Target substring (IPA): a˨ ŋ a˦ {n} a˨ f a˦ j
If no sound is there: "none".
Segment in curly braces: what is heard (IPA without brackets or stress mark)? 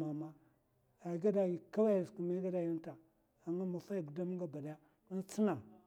m